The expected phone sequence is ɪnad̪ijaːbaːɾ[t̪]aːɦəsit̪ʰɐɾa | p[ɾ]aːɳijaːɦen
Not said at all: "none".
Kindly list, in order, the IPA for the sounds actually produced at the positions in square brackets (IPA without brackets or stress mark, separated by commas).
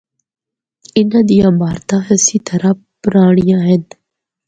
t̪, ɾ